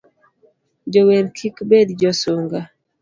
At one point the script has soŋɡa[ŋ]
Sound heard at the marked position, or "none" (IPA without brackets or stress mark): none